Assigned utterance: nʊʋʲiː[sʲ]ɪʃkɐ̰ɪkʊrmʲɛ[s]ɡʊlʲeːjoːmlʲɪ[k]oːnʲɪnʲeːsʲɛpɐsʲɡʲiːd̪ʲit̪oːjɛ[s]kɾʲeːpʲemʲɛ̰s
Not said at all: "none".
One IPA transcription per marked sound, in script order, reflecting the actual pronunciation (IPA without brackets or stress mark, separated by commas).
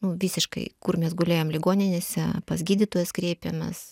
sʲ, s, ɡ, s